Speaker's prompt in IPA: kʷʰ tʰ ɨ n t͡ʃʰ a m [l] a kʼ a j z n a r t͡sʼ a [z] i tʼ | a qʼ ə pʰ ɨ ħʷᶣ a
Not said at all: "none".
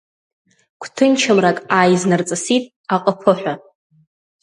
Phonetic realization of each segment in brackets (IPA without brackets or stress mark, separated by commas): r, s